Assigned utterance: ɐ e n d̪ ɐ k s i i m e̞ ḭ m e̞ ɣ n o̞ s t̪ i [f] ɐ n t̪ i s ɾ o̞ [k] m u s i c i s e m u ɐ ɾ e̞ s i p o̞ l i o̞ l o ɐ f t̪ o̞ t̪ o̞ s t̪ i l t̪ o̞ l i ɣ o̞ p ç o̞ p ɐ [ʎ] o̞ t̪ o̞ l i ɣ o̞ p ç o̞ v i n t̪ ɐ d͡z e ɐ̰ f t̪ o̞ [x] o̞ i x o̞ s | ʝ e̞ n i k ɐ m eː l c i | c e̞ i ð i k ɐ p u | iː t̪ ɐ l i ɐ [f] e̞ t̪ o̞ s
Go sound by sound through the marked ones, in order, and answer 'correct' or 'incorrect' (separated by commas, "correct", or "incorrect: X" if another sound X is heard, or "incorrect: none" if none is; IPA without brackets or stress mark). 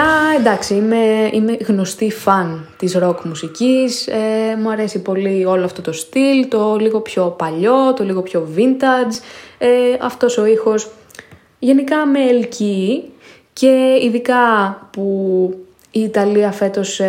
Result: correct, correct, correct, incorrect: s, correct